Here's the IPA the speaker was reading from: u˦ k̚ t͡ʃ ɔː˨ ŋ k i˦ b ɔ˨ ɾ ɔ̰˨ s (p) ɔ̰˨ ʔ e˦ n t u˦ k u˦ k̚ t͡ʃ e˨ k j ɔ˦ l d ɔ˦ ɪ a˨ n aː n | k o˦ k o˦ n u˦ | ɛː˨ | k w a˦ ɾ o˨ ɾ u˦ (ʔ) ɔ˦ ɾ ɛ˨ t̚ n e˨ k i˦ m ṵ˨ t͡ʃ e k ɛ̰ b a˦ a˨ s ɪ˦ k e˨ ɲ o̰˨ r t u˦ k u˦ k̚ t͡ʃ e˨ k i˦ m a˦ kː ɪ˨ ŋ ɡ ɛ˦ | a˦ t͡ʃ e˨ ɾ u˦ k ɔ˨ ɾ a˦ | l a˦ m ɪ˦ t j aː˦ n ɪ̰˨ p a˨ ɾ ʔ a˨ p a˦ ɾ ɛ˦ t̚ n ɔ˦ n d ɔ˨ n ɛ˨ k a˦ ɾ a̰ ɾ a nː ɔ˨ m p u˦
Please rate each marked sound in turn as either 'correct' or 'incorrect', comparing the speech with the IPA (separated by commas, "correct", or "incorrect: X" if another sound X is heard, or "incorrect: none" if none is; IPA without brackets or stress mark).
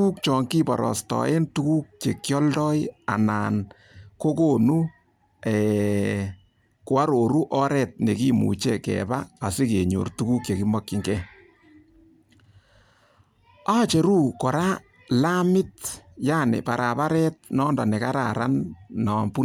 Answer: incorrect: t, correct